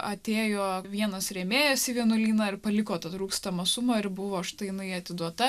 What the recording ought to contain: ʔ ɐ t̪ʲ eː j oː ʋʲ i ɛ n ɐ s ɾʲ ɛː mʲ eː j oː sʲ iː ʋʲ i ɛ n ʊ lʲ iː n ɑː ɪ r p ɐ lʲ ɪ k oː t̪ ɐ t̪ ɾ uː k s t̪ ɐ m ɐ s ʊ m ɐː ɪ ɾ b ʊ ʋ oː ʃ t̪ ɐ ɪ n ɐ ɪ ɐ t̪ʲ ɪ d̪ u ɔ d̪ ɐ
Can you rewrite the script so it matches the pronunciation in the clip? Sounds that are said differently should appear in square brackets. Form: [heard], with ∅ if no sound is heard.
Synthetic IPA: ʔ ɐ t̪ʲ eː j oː ʋʲ i ɛ n ɐ s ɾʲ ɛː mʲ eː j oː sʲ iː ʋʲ i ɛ n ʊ lʲ iː n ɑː ɪ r p ɐ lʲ ɪ k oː t̪ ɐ t̪ ɾ uː k s t̪ ɐ m ɐ s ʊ m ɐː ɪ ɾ b ʊ ʋ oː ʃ t̪ ɐ ɪ n ɐ ɪ ɐ t̪ʲ ɪ d̪ u ɔ [t̪] ɐ